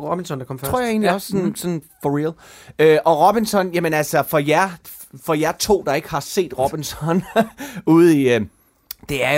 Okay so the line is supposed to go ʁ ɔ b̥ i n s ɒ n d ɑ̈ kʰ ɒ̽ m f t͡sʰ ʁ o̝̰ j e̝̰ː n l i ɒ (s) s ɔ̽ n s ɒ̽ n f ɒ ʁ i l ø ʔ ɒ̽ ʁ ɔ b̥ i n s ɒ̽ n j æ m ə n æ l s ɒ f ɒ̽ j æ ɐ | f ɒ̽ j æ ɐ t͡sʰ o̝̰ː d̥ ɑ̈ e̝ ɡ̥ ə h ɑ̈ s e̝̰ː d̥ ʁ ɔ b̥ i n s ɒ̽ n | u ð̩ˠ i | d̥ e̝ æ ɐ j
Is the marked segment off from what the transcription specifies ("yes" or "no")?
no